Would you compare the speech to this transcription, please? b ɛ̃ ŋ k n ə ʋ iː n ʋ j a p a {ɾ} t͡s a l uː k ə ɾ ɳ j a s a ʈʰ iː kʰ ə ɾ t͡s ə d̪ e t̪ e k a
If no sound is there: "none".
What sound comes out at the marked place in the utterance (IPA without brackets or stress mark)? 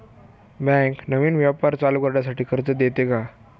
ɾ